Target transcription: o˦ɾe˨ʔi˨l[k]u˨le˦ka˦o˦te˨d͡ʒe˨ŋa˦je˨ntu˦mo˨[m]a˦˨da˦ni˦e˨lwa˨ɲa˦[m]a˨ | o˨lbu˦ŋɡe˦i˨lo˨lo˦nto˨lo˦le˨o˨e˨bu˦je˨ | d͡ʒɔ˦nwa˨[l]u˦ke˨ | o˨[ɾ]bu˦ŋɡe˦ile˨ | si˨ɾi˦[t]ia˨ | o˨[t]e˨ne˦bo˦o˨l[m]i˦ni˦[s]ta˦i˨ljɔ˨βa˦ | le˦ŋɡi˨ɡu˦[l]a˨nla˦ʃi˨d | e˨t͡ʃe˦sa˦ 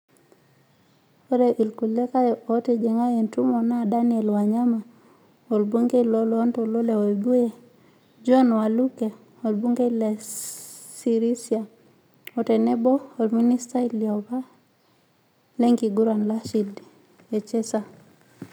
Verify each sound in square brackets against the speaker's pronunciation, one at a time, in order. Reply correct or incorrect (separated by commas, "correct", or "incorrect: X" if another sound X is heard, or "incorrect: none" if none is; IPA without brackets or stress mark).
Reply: correct, incorrect: n, correct, correct, incorrect: l, incorrect: s, correct, correct, correct, incorrect: ɾ